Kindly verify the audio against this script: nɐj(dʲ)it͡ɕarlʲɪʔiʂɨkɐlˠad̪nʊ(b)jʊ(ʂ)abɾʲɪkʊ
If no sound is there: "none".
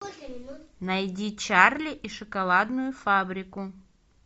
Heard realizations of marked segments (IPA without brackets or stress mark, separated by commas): dʲ, none, f